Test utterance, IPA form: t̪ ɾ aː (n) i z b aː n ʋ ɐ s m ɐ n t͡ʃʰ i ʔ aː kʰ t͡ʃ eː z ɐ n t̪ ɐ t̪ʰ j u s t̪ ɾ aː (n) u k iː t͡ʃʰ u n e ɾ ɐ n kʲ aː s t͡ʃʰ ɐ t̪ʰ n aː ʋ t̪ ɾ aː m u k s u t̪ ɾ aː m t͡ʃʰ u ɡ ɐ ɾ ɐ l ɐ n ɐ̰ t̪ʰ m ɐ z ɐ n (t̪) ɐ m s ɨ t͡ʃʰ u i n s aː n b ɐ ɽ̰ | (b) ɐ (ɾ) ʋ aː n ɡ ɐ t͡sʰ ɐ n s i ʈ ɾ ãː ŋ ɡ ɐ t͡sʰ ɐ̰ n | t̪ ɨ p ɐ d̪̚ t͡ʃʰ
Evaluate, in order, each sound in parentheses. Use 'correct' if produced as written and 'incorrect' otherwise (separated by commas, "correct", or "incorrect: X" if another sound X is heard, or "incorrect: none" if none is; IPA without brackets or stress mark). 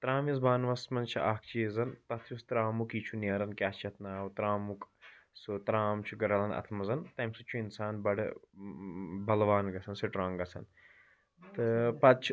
incorrect: m, incorrect: m, correct, correct, incorrect: l